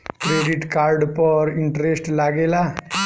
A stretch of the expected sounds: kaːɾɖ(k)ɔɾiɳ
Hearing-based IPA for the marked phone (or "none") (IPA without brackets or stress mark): p